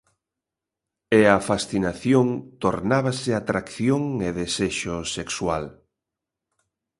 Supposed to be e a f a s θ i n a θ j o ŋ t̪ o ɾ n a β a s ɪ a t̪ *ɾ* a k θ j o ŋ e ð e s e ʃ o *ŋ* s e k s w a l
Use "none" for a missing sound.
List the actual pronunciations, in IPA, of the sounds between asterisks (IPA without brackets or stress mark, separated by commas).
ɾ, none